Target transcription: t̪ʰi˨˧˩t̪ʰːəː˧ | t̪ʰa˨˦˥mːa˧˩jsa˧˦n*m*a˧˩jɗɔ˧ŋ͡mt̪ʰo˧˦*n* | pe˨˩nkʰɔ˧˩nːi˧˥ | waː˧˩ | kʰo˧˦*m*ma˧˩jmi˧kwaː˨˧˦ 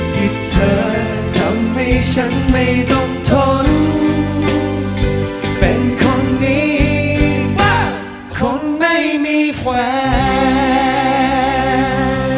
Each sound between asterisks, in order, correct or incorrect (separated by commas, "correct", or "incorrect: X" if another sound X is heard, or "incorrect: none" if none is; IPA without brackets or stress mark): correct, correct, incorrect: n